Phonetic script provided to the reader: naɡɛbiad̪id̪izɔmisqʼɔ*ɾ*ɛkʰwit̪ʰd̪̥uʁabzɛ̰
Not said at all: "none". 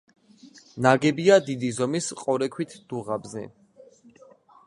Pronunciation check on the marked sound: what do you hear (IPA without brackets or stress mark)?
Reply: ɾ